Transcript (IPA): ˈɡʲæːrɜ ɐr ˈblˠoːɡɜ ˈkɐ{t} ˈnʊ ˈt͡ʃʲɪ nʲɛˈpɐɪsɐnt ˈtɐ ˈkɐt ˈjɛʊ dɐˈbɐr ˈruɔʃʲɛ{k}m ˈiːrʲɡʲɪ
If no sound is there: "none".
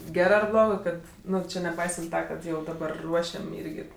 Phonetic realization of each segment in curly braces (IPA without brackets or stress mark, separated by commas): t, none